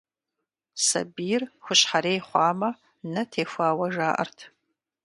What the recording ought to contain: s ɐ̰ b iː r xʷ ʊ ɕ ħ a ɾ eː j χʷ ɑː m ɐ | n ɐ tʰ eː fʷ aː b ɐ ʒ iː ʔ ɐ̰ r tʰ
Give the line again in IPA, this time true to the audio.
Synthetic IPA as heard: s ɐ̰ b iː r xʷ ʊ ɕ ħ a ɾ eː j χʷ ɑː m ɐ | n ɐ tʰ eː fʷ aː w ɐ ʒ aː ʔ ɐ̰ r tʰ